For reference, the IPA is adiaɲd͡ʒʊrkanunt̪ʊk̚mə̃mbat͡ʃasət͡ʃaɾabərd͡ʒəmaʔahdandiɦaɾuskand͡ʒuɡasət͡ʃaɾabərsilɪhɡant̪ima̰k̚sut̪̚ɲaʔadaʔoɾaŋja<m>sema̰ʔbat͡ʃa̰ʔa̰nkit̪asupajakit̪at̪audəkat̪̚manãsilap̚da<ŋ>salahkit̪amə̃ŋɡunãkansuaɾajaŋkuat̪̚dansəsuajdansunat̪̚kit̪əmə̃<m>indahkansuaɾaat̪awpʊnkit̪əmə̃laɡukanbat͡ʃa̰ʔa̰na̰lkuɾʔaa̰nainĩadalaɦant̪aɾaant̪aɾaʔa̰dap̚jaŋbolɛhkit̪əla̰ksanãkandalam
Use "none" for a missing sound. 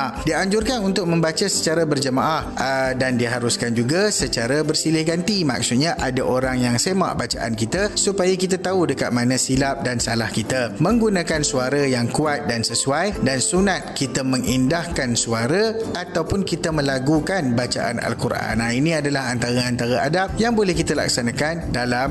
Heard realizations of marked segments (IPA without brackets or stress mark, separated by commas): ŋ, n, ŋ